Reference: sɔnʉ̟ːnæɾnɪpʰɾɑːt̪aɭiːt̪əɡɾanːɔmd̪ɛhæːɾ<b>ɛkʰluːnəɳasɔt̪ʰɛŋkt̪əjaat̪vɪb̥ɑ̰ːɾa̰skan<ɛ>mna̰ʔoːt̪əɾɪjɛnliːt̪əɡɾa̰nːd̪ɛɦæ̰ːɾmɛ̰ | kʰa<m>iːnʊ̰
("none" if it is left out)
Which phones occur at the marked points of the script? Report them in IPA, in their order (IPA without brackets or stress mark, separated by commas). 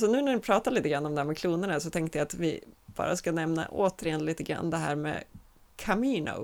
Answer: m, ɛ, m